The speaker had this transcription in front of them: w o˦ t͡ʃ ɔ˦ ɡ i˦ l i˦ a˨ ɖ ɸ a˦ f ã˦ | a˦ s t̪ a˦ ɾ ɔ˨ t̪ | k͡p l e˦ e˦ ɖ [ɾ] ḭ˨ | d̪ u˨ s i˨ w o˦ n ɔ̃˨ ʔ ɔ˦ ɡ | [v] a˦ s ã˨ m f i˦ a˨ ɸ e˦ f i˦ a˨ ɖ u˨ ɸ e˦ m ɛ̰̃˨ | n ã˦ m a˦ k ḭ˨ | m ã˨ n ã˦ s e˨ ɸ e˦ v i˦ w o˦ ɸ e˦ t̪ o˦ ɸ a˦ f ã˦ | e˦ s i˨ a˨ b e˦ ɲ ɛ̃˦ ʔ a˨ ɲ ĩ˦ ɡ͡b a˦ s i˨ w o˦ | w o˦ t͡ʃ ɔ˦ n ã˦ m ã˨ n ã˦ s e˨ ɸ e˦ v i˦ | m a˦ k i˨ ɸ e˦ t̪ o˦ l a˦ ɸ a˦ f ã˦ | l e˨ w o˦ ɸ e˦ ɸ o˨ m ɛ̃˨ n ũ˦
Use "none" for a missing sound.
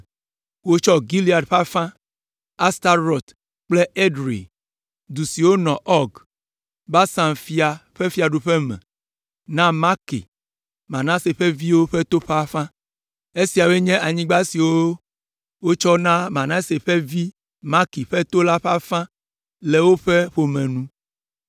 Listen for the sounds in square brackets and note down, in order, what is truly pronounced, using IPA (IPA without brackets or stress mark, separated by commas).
ɾ, b